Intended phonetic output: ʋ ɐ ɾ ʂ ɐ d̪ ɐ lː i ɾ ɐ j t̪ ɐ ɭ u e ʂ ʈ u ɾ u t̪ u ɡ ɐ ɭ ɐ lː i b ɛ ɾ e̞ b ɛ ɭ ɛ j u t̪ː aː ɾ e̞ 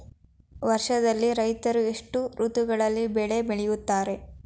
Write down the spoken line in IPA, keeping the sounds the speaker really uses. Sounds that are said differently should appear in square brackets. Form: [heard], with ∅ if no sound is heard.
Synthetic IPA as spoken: ʋ ɐ ɾ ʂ ɐ d̪ ɐ lː i ɾ ɐ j t̪ ɐ [ɾ] u e ʂ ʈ u ɾ u t̪ u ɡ ɐ ɭ ɐ lː i b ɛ [ɭ] e̞ b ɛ ɭ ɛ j u t̪ː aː ɾ e̞